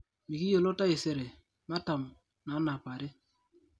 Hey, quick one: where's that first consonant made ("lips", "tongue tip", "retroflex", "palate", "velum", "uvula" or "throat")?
lips